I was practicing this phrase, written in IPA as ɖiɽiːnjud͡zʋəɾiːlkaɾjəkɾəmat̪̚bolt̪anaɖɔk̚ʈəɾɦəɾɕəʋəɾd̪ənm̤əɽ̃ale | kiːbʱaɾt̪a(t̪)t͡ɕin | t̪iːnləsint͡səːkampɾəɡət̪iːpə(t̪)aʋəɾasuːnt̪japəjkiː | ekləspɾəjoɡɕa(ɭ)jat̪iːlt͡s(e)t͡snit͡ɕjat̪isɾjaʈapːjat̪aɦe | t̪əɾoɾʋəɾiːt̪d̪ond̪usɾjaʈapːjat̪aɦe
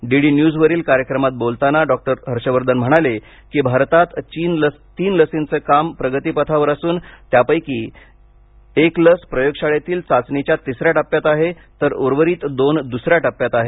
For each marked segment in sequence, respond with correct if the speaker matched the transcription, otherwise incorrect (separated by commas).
correct, incorrect, correct, incorrect